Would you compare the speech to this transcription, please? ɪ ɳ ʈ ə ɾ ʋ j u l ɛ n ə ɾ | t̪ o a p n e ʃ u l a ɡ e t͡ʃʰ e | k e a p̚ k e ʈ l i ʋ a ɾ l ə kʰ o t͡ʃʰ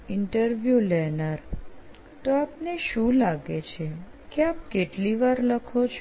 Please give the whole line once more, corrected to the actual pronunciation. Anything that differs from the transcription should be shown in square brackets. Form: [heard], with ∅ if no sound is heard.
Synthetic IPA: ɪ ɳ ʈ ə ɾ ʋ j u l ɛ n ə ɾ | t̪ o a p n e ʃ [ũ] l a ɡ e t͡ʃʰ e | k e a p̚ k e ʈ l i ʋ a ɾ l ə kʰ o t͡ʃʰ